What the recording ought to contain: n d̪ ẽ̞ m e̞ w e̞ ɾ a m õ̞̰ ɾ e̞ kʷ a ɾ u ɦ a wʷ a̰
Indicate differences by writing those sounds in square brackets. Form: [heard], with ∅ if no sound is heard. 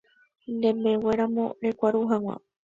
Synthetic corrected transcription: n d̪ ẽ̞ m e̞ w e̞ ɾ a m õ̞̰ ɾ e̞ kʷ a ɾ u ɦ a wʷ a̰